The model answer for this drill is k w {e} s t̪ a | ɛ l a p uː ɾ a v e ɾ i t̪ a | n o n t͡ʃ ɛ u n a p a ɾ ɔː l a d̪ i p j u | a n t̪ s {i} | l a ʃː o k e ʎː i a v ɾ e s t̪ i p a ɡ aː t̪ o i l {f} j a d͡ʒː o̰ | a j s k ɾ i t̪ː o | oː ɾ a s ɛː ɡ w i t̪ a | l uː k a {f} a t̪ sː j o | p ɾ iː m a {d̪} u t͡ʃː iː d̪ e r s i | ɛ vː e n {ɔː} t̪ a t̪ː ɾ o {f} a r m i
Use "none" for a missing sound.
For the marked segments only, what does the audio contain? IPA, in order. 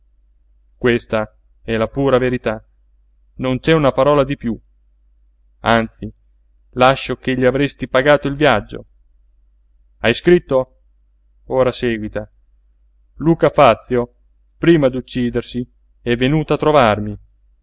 e, i, v, f, d̪, uː, v

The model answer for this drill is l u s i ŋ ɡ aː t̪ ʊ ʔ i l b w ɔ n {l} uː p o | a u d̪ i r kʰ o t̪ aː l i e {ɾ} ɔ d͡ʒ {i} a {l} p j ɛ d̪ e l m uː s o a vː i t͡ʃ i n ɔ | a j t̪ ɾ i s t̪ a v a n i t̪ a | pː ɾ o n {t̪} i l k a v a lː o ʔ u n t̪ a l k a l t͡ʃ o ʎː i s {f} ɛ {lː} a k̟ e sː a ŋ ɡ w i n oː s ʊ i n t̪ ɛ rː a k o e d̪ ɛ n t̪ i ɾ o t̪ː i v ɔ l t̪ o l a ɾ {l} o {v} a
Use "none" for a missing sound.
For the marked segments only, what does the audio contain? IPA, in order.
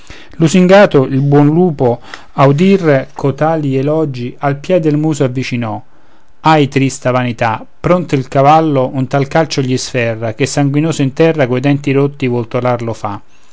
l, l, i, l, t̪, f, rː, l, f

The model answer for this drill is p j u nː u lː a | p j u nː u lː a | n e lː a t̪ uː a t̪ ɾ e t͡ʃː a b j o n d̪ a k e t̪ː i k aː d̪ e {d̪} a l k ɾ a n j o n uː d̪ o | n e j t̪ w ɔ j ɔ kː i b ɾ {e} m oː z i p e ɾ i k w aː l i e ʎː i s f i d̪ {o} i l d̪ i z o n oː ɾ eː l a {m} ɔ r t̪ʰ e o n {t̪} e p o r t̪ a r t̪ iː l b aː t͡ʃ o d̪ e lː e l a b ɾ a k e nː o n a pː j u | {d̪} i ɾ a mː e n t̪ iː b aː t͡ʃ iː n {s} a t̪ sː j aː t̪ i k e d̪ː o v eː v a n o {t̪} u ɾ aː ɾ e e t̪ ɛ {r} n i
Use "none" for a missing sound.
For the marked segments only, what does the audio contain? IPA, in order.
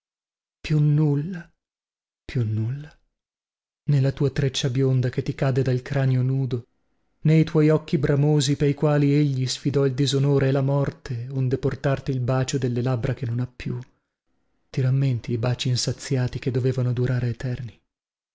d̪, a, ɔ, m, d̪, t̪, s, d̪, r

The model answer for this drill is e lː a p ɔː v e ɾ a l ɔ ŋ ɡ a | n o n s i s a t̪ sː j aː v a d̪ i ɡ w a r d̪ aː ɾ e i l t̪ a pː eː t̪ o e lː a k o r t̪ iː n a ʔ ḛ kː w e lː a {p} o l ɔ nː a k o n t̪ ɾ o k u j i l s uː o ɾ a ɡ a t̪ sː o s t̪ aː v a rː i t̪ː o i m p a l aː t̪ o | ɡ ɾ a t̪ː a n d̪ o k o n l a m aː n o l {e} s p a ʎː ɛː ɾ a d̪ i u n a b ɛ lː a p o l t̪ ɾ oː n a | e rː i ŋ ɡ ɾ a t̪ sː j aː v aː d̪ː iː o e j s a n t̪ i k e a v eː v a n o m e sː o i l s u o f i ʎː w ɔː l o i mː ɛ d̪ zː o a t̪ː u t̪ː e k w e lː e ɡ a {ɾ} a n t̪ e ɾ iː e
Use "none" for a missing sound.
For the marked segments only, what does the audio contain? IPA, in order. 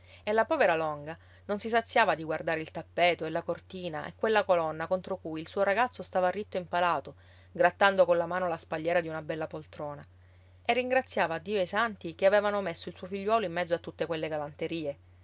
k, a, l

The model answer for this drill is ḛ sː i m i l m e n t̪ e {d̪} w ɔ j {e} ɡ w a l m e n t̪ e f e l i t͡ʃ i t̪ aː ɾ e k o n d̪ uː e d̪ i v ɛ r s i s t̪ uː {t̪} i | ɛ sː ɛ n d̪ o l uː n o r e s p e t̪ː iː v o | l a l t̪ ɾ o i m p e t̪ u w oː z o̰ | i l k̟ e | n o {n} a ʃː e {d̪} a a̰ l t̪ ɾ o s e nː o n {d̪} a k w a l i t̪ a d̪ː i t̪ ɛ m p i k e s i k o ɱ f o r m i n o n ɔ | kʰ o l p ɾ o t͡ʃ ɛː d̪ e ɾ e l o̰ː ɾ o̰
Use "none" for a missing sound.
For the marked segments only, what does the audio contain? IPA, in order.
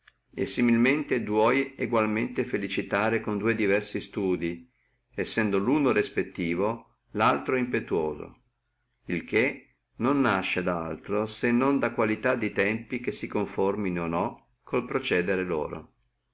d̪, e, d̪, nː, d̪, d̪

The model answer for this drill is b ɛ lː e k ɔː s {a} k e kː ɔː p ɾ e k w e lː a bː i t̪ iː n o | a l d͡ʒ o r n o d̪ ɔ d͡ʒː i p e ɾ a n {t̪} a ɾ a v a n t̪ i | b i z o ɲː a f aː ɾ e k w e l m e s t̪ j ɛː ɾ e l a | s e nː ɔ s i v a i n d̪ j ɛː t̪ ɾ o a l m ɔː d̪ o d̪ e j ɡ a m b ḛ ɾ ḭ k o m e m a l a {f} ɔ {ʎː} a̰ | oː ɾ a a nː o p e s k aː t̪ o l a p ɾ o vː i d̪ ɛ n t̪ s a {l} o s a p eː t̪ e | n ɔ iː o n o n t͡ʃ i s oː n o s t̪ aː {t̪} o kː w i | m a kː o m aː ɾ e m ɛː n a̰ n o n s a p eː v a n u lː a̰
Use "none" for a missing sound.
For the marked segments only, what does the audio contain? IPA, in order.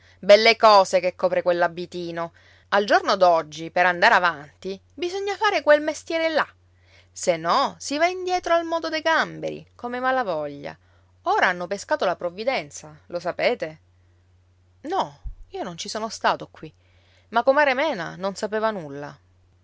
e, d̪, v, ʎː, l, t̪

